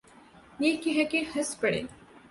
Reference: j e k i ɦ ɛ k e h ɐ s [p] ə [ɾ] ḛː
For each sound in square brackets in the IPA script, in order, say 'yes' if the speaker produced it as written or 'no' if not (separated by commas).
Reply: yes, no